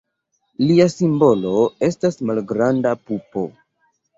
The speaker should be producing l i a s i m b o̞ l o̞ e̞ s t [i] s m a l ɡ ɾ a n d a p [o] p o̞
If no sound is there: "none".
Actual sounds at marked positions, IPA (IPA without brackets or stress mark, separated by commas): a, u